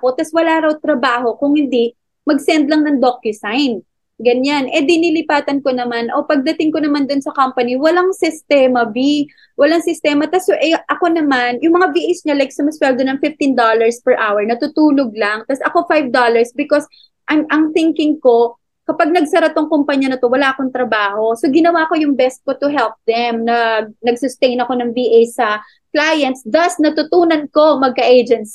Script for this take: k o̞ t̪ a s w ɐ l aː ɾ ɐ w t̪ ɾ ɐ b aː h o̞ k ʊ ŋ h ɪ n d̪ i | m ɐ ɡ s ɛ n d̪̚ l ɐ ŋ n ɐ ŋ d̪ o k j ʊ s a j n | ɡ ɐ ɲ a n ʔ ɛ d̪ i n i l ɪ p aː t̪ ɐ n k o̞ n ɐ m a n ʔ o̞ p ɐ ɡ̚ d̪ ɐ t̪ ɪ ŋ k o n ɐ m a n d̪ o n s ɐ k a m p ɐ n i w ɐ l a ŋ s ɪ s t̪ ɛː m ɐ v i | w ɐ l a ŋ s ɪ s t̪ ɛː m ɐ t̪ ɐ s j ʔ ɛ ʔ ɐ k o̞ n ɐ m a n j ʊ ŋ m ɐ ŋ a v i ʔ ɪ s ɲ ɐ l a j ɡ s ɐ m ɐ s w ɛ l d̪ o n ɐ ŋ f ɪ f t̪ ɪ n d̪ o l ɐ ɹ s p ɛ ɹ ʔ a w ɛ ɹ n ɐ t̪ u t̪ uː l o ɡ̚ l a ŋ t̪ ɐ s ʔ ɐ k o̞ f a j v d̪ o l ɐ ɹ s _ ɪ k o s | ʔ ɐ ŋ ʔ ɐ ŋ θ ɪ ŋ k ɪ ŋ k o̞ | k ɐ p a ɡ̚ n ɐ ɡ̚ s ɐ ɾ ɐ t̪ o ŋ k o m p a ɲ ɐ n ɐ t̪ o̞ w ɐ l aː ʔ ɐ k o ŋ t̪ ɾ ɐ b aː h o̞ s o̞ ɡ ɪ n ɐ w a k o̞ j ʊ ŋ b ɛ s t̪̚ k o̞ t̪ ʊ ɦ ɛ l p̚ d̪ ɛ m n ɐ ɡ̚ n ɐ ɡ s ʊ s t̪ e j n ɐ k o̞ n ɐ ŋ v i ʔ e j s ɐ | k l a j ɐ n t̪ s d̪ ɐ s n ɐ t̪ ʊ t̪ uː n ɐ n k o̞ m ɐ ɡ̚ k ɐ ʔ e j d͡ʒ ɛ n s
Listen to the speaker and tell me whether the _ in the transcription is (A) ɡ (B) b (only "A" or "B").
B